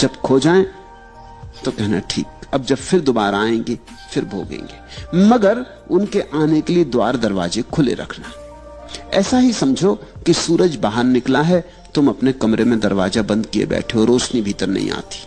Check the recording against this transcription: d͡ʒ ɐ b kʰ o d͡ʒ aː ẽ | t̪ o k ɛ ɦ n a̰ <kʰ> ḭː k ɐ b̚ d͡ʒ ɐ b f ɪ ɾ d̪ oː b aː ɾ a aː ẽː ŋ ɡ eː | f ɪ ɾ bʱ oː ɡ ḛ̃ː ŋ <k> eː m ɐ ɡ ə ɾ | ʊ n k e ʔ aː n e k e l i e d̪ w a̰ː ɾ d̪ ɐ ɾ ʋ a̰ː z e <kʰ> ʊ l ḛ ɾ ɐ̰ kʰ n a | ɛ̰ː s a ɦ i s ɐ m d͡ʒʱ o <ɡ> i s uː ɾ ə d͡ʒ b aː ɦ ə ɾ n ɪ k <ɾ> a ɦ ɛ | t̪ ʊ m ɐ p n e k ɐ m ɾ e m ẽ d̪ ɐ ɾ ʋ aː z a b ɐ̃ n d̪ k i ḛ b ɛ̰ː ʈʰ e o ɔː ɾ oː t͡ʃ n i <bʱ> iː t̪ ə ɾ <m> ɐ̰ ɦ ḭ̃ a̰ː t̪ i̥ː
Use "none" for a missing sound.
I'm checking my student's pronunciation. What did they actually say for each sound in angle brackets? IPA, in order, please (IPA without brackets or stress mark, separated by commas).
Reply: ʈʰ, ɡ, kʰ, k, l, bʱ, n